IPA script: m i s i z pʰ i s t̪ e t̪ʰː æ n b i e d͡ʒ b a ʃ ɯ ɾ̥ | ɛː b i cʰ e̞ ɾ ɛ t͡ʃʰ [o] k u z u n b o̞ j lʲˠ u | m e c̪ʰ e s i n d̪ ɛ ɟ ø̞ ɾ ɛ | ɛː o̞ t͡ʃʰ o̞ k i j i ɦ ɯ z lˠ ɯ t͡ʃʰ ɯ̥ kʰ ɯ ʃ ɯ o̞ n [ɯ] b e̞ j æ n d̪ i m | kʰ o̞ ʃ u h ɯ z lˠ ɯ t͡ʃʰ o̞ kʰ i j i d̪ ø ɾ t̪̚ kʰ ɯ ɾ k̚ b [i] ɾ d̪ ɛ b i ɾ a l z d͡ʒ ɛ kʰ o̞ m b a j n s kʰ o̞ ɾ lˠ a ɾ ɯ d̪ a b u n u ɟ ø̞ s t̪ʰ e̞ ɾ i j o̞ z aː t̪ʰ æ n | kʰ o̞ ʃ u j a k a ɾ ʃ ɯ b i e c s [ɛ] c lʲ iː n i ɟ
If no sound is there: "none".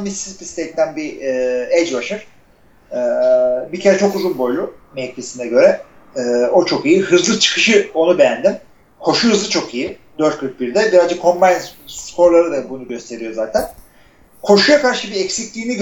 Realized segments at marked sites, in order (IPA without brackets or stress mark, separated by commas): o, u, i, i